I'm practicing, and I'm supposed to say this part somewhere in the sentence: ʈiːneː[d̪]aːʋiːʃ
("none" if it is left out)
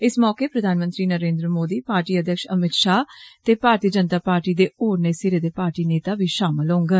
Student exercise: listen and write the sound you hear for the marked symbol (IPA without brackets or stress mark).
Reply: t̪